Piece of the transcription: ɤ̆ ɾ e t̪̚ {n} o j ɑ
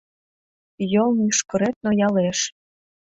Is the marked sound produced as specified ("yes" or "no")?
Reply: yes